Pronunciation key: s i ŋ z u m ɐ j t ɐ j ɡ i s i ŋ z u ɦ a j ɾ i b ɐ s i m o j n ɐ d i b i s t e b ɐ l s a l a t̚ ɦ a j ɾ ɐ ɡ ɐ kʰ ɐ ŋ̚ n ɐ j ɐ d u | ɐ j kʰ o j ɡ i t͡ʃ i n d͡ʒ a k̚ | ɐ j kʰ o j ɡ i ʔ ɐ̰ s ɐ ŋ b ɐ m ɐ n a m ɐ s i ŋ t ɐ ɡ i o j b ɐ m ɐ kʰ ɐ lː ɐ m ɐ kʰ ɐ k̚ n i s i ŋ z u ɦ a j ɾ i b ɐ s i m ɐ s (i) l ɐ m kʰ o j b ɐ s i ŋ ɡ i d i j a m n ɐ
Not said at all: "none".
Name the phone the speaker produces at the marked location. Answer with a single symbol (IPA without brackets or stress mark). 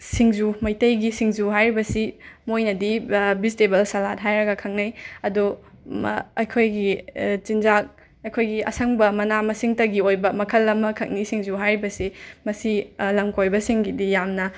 i